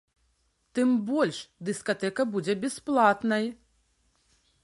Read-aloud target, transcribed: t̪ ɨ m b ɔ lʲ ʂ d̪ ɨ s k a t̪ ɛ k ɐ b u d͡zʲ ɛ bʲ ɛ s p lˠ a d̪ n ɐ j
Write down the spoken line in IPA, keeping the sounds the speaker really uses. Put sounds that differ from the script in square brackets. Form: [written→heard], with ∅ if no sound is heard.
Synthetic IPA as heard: t̪ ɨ m b ɔ lʲ ʂ d̪ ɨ s k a t̪ ɛ k ɐ b u d͡zʲ ɛ bʲ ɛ s p lˠ a [d̪→t̪] n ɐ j